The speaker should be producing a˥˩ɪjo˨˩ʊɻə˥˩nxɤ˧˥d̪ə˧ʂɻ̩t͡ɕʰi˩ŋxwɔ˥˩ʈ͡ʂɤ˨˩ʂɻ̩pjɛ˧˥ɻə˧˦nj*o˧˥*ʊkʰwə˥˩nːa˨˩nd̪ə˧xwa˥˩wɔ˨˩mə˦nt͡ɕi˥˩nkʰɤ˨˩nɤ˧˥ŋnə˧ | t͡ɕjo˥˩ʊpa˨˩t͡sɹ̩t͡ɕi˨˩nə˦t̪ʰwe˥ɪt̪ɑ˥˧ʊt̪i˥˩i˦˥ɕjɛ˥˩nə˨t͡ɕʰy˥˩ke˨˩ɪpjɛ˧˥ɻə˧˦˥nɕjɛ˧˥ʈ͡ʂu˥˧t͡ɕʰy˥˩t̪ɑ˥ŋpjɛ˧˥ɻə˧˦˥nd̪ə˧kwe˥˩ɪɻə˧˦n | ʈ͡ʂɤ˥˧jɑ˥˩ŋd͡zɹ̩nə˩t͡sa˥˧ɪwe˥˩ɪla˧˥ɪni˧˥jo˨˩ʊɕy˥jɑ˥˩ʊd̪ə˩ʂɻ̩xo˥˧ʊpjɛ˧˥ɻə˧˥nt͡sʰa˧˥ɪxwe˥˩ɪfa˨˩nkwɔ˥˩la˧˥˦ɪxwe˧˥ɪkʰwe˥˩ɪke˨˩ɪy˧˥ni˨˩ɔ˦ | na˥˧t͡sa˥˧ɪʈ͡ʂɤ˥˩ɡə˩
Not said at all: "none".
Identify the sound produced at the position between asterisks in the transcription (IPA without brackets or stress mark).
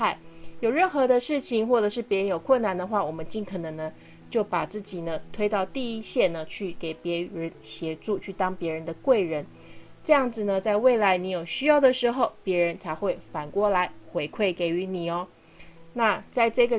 o˨˩